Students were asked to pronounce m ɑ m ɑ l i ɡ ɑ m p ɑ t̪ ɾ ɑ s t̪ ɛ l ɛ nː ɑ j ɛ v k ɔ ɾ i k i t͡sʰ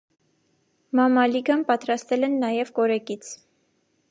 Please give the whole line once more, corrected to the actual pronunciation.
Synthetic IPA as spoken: m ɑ m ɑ l i ɡ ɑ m p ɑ t̪ ɾ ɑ s t̪ ɛ l ɛ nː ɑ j ɛ v k ɔ ɾ ɛ k i t͡sʰ